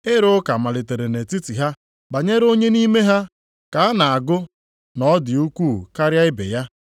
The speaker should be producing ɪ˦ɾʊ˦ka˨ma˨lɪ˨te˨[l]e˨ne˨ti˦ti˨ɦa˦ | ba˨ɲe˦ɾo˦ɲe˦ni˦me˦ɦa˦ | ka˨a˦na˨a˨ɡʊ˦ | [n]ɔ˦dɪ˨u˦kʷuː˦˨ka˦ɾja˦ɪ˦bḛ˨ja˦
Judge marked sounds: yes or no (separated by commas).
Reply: no, yes